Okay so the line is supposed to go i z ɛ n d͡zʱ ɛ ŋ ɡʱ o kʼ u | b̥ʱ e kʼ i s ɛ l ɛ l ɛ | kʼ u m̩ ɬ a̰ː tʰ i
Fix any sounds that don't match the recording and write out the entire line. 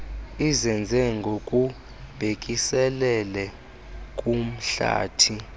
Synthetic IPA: i z ɛ n d͡zʱ ɛ ŋ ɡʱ o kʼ u | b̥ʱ e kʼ i s ɛ l ɛ l ɛ | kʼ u m̩ ɬ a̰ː tʰ i